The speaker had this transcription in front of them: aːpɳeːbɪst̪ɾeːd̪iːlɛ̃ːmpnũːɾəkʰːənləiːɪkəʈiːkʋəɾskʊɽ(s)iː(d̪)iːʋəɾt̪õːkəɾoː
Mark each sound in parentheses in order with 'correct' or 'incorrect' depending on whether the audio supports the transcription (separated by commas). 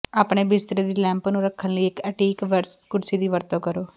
correct, correct